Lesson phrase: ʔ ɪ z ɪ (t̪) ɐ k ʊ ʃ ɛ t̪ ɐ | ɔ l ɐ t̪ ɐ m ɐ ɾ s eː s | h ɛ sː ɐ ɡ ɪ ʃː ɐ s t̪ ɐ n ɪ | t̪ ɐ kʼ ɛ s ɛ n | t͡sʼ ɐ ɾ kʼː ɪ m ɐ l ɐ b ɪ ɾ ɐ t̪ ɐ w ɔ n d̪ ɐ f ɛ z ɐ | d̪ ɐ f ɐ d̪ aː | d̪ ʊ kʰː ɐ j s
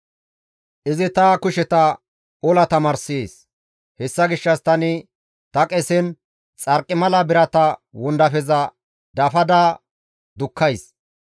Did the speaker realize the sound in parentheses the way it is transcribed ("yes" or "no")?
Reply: yes